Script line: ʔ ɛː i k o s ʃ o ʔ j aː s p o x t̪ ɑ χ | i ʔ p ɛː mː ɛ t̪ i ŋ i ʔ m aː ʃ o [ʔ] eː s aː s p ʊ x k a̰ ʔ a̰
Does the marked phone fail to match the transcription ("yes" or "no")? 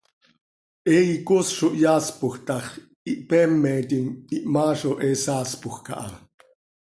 no